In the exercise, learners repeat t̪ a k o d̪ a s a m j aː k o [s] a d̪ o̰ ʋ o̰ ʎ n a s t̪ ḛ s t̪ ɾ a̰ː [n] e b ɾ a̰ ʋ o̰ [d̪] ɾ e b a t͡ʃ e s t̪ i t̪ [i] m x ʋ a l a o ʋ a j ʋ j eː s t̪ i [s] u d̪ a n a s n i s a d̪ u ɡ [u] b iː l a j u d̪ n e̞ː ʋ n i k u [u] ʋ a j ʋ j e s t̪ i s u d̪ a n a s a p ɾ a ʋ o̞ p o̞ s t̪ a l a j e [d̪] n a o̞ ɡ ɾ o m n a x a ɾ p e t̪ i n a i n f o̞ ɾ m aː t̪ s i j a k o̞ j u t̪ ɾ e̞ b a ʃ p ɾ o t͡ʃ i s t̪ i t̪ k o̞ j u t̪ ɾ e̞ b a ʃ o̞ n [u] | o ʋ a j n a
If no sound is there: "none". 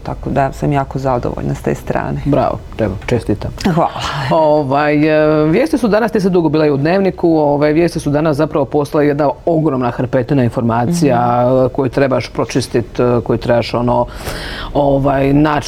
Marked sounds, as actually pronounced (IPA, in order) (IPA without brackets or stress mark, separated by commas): z, n, t̪, a, s, o, o, d̪, o